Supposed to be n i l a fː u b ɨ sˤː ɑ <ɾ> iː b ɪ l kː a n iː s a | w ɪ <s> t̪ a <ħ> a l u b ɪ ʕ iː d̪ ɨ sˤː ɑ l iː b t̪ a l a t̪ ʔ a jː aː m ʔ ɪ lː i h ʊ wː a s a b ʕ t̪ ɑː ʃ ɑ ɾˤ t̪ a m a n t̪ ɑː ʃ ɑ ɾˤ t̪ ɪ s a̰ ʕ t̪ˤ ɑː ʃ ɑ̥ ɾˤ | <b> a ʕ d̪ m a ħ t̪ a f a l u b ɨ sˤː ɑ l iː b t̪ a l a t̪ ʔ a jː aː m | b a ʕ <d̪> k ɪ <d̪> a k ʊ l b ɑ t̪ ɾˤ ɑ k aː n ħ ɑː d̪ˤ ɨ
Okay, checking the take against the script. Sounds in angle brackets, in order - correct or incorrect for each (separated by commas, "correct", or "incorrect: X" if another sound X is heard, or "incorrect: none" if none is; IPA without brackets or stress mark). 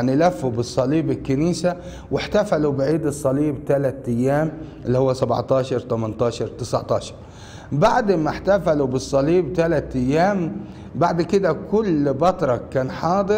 incorrect: l, incorrect: ħ, incorrect: f, correct, correct, correct